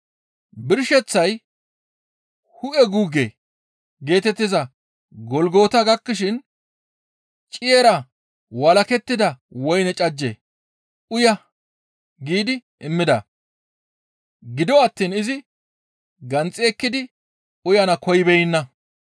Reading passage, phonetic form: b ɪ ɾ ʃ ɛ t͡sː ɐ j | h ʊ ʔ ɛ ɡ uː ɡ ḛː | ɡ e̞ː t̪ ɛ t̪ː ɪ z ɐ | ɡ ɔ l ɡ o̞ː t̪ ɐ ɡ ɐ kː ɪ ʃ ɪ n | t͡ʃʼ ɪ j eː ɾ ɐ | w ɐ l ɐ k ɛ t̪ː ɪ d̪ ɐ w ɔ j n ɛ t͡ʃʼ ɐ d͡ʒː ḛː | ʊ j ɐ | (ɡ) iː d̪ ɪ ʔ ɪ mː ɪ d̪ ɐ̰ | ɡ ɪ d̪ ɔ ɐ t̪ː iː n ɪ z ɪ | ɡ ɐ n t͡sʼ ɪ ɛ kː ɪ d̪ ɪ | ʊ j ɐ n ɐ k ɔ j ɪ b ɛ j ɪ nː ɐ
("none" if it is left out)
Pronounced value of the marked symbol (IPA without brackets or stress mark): ɡ